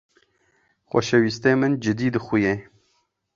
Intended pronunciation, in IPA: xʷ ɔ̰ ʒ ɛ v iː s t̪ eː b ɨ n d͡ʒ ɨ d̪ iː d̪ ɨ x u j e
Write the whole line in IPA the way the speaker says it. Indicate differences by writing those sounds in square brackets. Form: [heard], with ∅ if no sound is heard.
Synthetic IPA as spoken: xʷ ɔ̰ [ʃ] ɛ [w] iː s t̪ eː [m] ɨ n d͡ʒ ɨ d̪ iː d̪ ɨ x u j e